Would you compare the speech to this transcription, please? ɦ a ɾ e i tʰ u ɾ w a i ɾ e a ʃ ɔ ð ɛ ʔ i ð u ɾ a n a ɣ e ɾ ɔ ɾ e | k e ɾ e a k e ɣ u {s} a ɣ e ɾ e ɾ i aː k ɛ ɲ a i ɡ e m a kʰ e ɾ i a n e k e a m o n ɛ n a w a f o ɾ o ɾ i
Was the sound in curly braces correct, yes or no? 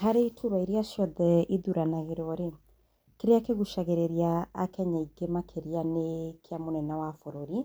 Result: no